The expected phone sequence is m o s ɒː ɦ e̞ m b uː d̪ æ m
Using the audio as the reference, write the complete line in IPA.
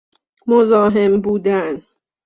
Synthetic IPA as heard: m o z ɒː ɦ e̞ m b uː d̪ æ n